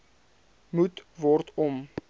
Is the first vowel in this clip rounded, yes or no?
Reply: yes